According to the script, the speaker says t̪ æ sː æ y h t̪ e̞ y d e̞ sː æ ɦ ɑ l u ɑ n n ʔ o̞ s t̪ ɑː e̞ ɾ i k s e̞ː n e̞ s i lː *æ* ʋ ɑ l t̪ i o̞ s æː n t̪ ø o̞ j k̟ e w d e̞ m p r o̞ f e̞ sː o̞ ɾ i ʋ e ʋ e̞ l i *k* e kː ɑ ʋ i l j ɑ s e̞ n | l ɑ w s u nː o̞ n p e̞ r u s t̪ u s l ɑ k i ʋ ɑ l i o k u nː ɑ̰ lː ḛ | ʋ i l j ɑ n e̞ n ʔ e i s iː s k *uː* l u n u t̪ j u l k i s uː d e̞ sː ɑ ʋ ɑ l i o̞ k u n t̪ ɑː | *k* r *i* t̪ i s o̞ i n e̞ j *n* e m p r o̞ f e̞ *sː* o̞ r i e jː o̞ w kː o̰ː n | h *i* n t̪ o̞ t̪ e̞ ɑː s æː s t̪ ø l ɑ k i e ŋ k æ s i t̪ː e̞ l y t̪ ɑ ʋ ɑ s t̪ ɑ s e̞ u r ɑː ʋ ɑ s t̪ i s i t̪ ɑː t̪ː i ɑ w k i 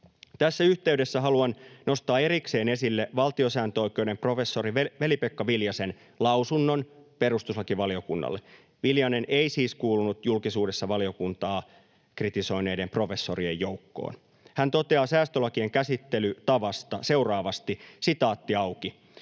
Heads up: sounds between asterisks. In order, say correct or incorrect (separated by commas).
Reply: incorrect, incorrect, correct, correct, correct, incorrect, correct, incorrect